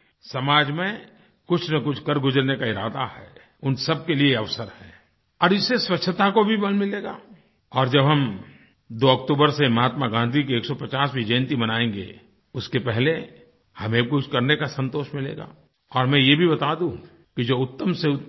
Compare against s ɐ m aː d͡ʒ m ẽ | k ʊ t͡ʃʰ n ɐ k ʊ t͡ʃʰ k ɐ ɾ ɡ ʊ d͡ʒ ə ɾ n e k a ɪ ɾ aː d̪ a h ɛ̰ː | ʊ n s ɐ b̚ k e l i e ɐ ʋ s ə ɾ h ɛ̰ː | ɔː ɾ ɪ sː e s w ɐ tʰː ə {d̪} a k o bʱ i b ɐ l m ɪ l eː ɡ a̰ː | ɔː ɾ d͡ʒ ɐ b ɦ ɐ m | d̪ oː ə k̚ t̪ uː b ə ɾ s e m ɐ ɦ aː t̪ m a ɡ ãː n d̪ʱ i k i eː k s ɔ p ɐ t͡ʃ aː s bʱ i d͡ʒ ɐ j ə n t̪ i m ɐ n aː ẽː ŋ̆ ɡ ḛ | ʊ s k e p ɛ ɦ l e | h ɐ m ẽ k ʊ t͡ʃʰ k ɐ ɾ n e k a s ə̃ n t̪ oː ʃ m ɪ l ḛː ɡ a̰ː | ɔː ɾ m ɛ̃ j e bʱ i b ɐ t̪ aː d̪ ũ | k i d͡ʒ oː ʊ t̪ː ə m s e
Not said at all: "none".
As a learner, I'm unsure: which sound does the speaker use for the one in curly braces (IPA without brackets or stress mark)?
t̪